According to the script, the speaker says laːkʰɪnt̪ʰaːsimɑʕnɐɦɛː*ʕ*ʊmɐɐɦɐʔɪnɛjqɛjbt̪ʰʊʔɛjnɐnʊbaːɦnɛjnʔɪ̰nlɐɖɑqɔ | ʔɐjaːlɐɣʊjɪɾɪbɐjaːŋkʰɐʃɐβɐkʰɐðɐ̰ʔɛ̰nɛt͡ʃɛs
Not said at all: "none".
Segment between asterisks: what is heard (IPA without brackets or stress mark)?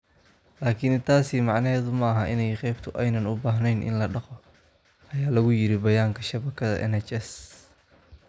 ð